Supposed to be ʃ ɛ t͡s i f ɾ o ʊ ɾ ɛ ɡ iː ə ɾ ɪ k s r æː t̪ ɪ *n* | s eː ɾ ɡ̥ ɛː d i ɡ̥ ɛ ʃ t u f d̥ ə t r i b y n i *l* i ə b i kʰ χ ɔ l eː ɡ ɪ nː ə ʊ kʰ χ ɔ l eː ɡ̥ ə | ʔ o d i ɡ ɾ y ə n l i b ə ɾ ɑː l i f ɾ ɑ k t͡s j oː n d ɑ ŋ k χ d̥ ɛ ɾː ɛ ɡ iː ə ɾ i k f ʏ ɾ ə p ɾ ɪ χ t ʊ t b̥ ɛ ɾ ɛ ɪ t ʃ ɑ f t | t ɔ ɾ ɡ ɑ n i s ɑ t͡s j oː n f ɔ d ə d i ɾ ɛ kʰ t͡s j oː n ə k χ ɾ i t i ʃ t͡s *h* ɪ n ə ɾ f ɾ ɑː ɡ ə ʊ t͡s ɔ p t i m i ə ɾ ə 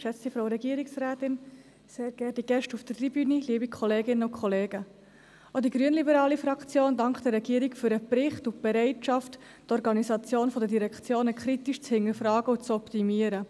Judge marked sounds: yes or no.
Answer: yes, yes, yes

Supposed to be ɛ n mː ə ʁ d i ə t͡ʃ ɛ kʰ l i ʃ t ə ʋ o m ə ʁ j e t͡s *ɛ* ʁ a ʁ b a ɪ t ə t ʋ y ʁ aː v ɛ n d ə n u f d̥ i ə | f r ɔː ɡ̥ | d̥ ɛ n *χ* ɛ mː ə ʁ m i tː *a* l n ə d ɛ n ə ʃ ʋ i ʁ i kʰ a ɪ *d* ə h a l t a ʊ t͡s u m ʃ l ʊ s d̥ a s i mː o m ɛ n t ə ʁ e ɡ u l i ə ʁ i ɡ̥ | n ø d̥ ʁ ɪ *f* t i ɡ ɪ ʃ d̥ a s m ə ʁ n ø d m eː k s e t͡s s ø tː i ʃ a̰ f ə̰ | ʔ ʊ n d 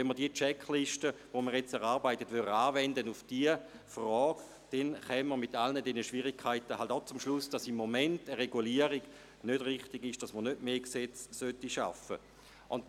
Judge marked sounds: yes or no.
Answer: yes, yes, yes, no, no

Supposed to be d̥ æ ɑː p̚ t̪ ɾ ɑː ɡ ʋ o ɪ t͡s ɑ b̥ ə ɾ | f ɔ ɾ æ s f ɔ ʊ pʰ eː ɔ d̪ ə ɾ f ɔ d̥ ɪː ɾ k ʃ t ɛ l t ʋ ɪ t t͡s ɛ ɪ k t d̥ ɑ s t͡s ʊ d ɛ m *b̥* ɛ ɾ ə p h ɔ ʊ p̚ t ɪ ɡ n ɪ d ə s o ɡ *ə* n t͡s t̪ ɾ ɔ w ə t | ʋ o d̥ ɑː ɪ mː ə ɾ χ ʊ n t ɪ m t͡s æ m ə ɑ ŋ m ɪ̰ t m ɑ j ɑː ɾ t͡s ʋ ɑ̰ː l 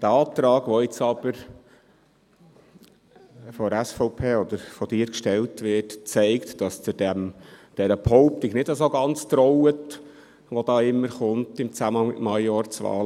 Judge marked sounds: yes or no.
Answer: no, no

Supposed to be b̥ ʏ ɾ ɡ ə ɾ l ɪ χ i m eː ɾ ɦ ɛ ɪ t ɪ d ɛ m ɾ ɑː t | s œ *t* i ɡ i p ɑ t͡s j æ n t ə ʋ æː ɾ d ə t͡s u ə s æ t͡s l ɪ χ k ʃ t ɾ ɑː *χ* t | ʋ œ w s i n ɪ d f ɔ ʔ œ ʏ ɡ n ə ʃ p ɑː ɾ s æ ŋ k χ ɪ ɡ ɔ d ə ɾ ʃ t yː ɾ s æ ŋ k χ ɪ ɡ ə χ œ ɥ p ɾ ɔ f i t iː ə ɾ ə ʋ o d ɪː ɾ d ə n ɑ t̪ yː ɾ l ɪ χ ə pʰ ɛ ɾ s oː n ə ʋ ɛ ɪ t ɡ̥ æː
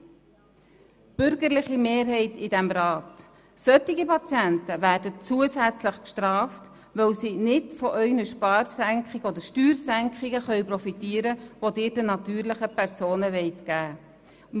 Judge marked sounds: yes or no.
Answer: yes, no

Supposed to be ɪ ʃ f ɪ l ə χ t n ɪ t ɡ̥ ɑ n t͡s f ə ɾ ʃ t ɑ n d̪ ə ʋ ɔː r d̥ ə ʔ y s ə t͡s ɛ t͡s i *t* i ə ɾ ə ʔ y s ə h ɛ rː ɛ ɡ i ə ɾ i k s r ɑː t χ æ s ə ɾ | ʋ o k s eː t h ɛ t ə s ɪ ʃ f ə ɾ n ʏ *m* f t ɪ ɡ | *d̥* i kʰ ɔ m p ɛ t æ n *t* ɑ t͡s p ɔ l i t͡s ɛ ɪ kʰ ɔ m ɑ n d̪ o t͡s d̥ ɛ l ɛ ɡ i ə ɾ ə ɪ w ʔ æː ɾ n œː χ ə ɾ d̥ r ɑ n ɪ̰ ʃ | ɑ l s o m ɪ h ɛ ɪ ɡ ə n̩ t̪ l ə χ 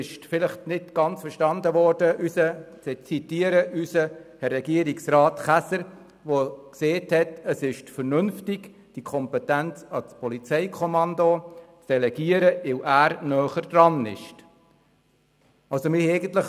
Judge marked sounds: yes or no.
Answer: yes, no, yes, no

